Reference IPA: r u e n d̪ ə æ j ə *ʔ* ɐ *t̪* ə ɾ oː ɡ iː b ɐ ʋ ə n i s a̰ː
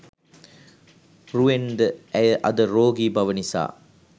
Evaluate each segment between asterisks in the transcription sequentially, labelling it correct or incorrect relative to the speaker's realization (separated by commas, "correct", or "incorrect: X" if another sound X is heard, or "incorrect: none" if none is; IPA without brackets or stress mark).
correct, incorrect: d̪